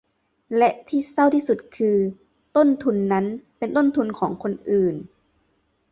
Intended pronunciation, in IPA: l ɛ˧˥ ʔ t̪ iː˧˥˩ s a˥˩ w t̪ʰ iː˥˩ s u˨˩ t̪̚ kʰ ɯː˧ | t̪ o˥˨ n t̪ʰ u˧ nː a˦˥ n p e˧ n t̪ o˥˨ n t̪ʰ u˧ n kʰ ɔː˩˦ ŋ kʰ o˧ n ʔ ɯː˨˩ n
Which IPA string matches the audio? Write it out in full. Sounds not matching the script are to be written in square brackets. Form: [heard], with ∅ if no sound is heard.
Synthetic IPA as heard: l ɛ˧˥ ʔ [t̪ʰ] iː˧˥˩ s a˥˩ w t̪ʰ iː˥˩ s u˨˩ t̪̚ kʰ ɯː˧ | t̪ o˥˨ n t̪ʰ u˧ nː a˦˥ n p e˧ n t̪ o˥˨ n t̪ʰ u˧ n kʰ ɔː˩˦ ŋ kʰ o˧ n ʔ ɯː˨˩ n